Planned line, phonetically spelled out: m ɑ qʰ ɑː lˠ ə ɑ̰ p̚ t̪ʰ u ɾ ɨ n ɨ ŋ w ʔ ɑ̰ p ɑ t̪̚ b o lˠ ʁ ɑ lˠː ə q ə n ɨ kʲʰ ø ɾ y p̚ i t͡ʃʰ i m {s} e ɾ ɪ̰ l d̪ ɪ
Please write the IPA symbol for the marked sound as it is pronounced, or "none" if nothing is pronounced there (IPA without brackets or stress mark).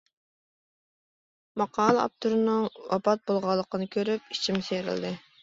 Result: s